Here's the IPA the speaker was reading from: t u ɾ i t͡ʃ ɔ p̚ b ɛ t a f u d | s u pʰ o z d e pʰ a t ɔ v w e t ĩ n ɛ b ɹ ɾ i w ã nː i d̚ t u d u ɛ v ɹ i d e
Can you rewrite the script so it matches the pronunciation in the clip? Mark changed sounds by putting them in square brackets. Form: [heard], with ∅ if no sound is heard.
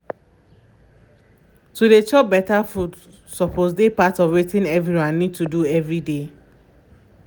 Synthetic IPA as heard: t u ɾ [e] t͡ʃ ɔ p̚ b ɛ t a f u d | s [ɔ] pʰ o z d e [p] a t ɔ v w e t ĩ n ɛ [v] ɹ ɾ i w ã nː i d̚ t u d u ɛ v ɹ i d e